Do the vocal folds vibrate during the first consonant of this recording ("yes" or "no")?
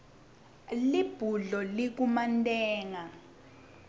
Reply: yes